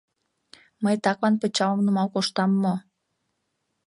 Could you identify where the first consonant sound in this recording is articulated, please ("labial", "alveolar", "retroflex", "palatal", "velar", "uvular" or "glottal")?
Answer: labial